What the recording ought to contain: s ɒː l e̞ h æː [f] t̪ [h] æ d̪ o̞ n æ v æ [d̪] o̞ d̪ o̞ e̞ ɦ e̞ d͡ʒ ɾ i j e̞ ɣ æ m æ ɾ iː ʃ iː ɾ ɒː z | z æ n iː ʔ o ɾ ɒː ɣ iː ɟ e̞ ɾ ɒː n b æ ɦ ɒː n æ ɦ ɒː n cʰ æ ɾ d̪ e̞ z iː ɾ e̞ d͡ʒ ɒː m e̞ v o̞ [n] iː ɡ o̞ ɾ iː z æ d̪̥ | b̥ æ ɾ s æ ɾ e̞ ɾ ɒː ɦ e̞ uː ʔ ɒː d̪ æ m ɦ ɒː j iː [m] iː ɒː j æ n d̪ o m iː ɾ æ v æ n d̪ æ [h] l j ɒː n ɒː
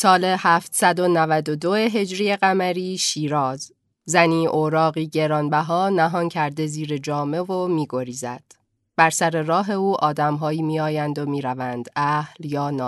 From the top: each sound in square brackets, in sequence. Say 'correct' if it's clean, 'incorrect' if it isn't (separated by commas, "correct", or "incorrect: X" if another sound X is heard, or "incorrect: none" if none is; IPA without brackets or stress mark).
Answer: correct, incorrect: s, correct, incorrect: m, correct, correct